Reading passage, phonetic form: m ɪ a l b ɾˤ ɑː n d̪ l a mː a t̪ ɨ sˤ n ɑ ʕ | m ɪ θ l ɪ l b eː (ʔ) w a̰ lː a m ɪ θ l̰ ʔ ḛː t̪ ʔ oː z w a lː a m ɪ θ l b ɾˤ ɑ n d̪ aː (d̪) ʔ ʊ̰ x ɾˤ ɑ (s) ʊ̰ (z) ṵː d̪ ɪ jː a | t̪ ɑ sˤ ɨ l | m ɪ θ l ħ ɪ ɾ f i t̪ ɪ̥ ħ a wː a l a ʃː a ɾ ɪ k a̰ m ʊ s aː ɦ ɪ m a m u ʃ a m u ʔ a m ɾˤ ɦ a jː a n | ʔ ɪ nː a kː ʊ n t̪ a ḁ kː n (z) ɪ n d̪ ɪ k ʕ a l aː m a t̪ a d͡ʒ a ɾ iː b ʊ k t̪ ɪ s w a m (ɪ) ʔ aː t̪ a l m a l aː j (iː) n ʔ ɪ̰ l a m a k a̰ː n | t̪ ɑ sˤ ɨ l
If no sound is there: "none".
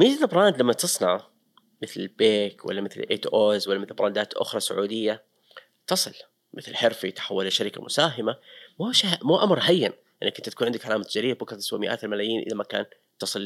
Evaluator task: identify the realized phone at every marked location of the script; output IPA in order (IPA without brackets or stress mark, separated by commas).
k, t̪, s, ʕ, ʕ, ɪ, iː